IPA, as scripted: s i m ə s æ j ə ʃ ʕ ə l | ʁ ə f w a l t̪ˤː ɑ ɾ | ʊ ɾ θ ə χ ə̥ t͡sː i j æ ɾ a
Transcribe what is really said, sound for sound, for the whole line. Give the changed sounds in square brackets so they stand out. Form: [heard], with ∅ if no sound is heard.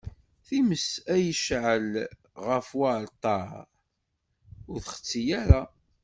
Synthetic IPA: [θ] i m ə s æ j ə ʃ ʕ ə l | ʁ ə f w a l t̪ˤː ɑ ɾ | ʊ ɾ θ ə χ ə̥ t͡sː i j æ ɾ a